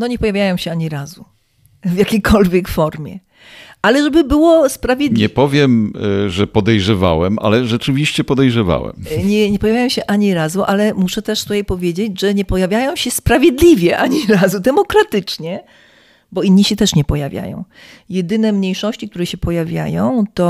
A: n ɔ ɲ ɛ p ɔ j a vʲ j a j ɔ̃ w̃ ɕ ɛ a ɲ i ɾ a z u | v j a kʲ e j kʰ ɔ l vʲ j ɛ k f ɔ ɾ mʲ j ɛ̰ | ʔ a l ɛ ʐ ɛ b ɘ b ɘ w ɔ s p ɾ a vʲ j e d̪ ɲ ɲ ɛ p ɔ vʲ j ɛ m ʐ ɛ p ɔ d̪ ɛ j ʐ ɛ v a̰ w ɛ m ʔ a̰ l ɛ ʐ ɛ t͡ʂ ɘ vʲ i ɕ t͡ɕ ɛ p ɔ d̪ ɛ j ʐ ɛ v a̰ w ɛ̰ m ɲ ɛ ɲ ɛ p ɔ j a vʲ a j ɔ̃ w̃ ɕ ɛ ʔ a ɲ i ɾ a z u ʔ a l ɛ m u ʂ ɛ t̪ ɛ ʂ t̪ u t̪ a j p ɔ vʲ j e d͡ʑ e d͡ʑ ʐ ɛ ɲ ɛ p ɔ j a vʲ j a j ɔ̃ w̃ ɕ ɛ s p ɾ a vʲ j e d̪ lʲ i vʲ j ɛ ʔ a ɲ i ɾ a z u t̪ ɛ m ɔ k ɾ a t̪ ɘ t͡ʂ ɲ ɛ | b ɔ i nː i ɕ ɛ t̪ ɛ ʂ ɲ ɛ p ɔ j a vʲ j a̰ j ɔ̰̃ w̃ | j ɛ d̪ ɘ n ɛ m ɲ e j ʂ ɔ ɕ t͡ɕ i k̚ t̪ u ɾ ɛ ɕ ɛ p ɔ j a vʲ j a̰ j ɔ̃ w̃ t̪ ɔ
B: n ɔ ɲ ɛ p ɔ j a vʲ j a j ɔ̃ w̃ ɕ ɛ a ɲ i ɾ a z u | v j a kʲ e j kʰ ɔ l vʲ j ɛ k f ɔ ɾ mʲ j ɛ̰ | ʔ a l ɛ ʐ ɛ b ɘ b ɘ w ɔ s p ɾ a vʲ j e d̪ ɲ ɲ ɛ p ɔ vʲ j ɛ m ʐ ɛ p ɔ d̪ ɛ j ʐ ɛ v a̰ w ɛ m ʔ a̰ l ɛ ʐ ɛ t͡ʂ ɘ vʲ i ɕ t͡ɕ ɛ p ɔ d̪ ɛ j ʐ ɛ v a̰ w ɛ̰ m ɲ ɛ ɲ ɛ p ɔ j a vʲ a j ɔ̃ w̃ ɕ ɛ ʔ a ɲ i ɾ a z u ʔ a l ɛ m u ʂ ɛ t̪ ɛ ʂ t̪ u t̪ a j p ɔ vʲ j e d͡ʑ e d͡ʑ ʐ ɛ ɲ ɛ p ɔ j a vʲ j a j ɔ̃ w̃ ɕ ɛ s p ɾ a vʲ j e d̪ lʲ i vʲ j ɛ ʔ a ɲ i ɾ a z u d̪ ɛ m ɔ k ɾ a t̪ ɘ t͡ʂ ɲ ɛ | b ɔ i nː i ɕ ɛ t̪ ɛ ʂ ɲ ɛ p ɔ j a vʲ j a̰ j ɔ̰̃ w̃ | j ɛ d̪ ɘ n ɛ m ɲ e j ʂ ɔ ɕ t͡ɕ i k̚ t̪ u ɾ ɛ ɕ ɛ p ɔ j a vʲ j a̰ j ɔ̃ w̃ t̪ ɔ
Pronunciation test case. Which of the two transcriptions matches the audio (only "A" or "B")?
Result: B